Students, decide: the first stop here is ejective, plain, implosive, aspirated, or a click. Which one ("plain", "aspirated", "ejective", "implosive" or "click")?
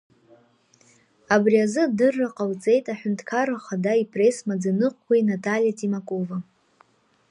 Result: plain